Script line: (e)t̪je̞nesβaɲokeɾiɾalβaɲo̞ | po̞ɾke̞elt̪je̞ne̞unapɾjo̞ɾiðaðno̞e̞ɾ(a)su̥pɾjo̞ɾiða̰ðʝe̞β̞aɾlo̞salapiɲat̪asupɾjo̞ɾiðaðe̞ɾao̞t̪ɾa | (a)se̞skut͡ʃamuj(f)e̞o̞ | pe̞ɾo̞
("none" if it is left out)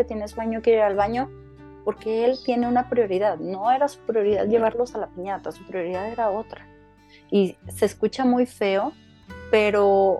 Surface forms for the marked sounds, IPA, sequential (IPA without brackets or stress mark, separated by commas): e, a, i, f